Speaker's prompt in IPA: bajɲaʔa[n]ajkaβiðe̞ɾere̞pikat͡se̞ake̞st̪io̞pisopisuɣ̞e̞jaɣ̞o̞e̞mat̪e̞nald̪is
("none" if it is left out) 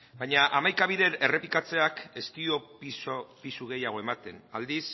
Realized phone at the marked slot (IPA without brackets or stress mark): m